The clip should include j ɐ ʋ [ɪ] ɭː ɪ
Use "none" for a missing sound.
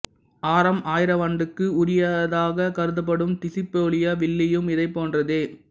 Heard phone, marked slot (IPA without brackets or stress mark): ɪ